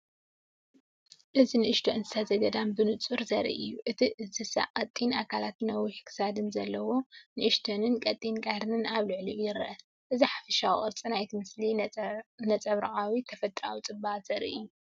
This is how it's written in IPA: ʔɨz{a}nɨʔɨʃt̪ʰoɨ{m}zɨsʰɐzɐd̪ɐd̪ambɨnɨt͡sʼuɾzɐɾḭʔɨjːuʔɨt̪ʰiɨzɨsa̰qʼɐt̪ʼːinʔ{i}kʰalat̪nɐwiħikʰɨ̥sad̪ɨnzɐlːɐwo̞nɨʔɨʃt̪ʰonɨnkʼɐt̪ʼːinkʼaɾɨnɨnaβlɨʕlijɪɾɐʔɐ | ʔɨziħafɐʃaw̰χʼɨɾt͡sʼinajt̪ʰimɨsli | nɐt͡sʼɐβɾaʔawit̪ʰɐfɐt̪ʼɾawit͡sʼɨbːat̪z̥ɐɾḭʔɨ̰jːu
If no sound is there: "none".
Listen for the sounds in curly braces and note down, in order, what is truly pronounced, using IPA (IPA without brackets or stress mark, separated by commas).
i, n, a